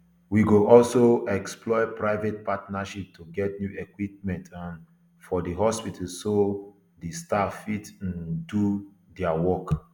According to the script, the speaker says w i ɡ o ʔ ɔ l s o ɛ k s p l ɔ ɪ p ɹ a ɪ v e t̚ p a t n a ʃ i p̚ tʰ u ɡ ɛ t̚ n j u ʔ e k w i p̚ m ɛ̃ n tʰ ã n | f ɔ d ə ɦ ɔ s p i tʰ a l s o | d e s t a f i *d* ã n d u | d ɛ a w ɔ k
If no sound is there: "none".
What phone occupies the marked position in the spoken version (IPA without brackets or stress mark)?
t